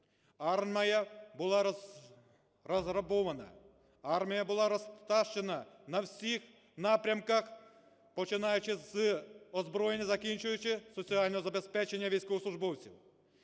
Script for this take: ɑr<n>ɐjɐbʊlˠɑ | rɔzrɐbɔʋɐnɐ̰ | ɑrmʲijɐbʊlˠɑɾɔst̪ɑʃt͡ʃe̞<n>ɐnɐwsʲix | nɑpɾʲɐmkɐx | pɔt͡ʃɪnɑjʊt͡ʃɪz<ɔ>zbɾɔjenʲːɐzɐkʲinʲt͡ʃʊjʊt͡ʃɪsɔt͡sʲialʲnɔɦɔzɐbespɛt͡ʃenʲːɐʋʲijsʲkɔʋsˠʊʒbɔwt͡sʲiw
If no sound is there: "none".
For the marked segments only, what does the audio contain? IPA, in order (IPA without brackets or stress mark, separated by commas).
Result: m, n, ɔ